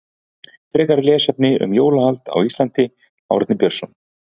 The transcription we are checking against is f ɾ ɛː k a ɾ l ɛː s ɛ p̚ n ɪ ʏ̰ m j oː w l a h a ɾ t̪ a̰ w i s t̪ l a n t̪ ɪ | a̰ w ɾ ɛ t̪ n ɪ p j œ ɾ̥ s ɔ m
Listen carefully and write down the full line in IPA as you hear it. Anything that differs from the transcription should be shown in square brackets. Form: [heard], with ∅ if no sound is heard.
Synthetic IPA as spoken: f ɾ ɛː k a ɾ l ɛː s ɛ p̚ n ɪ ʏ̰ m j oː w l a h a [l] t̪ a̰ w i s t̪ l a n t̪ ɪ | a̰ w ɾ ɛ t̪ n ɪ p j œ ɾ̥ s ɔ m